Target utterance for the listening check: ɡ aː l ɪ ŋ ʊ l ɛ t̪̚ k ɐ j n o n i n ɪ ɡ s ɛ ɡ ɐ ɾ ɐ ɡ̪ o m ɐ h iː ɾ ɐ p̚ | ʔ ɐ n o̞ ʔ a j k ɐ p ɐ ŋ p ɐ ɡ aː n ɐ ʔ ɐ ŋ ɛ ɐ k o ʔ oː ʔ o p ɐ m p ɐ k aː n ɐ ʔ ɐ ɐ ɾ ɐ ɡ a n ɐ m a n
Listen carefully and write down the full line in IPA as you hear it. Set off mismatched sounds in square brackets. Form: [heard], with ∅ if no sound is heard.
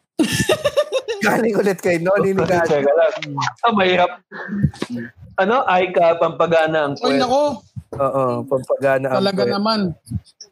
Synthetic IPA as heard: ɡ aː l ɪ ŋ ʊ l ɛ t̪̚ k ɐ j n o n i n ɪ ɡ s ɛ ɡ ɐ [l] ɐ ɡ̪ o m ɐ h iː ɾ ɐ p̚ | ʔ ɐ n o̞ ʔ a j k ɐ p ɐ [m] p ɐ ɡ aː n ɐ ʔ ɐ ŋ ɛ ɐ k o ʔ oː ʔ o p ɐ m p ɐ [ɡ] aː n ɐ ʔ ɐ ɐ [l] ɐ ɡ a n ɐ m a n